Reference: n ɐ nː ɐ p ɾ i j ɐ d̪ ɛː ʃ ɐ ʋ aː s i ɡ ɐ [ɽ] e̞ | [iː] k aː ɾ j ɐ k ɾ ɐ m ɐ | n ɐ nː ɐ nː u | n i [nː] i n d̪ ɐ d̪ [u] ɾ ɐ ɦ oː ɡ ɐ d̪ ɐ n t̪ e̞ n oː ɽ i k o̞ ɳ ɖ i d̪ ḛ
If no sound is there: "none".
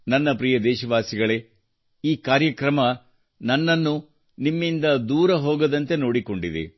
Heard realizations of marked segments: ɭ, iː, mː, uː

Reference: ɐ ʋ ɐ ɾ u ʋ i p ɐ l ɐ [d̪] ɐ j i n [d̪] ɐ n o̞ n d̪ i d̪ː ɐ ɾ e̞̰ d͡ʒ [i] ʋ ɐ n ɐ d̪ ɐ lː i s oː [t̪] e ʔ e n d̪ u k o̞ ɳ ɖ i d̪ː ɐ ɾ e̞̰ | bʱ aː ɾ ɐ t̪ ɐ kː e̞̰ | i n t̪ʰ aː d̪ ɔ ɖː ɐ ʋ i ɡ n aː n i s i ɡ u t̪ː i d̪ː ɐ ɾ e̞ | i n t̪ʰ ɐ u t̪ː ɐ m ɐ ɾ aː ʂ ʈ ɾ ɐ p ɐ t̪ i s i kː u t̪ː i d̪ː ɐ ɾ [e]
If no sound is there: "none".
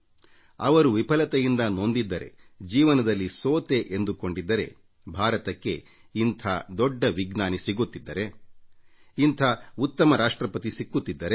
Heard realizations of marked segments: t̪, d̪, iː, t̪, e

